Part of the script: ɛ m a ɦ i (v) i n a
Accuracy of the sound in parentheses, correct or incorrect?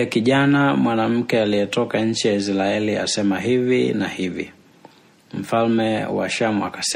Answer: correct